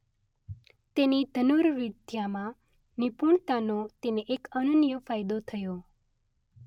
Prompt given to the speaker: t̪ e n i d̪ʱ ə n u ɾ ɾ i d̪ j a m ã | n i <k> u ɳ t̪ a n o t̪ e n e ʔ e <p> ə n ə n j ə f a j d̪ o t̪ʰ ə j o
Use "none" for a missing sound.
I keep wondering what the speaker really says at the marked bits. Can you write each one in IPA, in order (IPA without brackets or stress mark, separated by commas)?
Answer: p, k